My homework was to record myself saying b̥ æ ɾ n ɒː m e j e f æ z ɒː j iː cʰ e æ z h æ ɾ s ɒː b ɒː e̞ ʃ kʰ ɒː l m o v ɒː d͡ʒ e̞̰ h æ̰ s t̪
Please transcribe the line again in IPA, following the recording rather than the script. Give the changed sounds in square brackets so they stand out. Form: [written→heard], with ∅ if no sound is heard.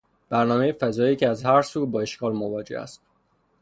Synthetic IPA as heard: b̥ æ ɾ n ɒː m e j e f æ z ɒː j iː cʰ e æ z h æ ɾ s [ɒː→uː] b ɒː e̞ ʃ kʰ ɒː l m o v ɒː d͡ʒ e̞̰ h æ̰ s t̪